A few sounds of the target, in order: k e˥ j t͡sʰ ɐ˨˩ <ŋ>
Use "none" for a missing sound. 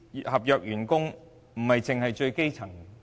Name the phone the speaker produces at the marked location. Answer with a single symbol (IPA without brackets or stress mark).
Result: ŋ